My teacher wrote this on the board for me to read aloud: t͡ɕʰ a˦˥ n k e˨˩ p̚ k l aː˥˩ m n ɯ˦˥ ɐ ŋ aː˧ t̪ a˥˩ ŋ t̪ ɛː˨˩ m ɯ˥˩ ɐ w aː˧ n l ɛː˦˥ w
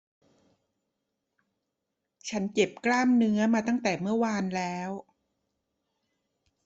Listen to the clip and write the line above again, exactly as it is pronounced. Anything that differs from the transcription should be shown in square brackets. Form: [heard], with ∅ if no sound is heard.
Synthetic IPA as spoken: t͡ɕʰ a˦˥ n k e˨˩ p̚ k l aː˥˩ m n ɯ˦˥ ɐ [m] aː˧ t̪ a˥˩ ŋ t̪ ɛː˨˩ m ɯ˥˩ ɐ w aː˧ n l ɛː˦˥ w